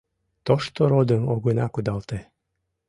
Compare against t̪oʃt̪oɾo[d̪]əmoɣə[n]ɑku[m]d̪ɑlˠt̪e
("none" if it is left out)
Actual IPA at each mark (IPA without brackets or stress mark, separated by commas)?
d̪, n, none